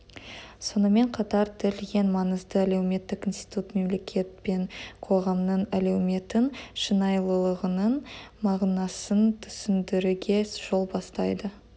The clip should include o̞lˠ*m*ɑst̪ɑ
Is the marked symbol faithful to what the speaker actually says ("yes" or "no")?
no